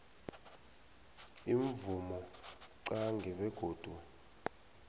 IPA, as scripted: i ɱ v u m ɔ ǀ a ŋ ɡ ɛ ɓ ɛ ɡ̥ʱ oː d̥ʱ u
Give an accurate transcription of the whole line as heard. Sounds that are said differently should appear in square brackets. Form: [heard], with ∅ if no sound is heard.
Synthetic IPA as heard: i ɱ v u m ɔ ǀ a ŋ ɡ ɛ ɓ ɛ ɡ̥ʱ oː d̥ʱ u